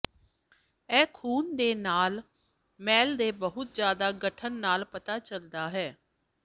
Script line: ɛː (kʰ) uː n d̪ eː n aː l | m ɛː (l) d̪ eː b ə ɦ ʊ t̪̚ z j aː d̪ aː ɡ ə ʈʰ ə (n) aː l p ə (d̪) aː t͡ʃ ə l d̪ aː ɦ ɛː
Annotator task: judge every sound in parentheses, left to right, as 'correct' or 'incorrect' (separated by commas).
correct, correct, incorrect, incorrect